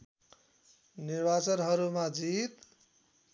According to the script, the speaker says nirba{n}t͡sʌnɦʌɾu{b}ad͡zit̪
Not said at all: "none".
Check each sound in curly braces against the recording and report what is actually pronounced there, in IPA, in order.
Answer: none, m

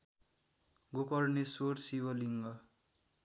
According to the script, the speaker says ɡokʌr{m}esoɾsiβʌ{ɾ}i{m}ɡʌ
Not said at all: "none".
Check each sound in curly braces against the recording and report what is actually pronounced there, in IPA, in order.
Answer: n, l, ŋ

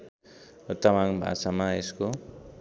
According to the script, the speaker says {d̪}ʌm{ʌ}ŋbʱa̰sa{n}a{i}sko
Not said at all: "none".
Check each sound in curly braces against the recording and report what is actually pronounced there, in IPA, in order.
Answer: t̪, a, m, e

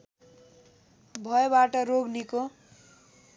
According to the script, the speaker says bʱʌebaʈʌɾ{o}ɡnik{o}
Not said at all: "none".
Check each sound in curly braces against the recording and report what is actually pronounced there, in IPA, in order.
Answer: o, o

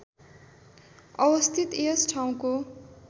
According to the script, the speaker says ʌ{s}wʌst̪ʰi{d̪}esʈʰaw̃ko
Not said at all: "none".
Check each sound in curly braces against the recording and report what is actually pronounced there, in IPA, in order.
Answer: none, t̪

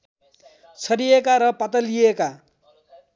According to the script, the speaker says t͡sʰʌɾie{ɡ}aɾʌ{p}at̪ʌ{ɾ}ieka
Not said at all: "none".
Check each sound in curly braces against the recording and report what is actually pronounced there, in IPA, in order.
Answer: k, p, l

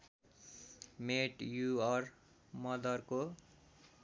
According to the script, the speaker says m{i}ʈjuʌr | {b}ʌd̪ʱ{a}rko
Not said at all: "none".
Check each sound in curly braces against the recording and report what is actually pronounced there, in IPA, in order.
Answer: e, m, ʌ

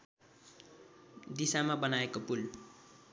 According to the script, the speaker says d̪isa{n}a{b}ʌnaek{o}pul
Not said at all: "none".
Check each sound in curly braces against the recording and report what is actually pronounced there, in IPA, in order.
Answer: m, b, o

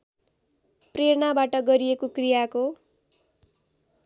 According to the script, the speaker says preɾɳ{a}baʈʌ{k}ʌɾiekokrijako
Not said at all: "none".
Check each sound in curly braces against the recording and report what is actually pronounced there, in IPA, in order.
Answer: a, ɡ

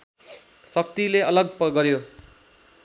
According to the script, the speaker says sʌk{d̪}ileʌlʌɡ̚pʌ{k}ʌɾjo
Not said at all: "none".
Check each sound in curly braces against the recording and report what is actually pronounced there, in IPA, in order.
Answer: t̪, ɡ

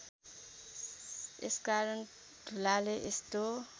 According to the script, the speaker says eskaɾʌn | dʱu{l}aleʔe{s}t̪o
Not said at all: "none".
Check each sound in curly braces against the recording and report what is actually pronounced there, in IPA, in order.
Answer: l, s

